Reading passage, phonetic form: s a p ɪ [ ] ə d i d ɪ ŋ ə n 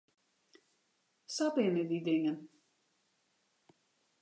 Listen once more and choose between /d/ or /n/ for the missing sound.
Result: n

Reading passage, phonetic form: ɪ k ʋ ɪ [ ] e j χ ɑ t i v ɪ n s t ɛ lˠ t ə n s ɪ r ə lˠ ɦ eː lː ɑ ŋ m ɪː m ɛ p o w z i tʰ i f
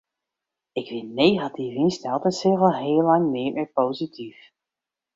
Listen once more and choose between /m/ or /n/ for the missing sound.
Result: n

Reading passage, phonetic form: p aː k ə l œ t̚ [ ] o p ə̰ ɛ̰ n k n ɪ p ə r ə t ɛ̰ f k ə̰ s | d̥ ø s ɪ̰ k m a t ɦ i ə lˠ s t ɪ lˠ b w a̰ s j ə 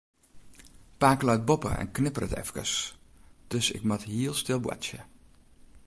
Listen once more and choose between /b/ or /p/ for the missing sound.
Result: b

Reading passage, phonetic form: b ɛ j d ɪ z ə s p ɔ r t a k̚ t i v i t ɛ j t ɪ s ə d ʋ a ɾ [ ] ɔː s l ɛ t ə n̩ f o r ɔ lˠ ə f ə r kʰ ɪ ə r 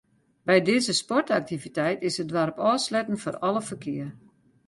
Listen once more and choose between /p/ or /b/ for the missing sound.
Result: p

